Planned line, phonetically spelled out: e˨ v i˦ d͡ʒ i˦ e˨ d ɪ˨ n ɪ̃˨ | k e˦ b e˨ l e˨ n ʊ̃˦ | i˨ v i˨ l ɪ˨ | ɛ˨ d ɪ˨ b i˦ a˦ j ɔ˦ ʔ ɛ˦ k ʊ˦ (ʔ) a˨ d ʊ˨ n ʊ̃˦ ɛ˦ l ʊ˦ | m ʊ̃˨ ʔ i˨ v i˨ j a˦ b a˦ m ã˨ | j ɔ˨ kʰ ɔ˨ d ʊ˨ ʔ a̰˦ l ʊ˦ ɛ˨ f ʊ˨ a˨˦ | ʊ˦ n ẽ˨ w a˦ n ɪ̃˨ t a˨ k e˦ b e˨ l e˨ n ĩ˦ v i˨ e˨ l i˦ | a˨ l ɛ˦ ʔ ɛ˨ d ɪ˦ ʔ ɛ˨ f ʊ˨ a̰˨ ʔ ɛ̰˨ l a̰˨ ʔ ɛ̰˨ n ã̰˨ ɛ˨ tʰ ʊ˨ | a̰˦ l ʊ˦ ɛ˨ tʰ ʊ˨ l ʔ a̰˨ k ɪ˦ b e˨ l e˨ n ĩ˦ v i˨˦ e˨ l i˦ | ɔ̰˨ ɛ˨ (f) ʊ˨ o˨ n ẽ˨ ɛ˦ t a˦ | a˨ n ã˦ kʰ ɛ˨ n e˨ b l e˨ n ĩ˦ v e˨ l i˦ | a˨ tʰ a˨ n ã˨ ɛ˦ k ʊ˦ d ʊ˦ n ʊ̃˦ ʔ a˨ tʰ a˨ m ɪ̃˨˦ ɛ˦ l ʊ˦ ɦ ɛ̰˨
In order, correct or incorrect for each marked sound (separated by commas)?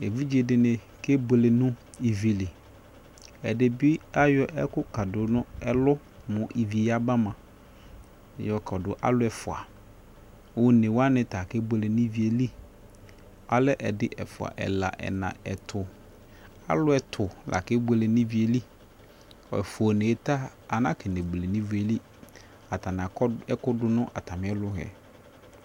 incorrect, correct